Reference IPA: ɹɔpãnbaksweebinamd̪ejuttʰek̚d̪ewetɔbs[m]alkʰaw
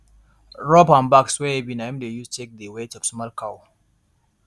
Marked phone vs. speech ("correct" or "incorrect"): correct